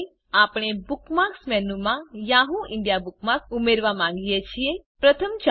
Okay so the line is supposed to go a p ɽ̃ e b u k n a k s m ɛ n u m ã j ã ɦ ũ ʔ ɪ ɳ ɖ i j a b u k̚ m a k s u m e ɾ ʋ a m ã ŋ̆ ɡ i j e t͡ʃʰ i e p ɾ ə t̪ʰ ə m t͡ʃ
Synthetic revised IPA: a p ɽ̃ e b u k m a k s m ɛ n u m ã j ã ɦ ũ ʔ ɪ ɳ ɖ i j a b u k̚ m a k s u m e ɾ ʋ a m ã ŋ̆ ɡ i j e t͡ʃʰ i e p ɾ ə t̪ʰ ə m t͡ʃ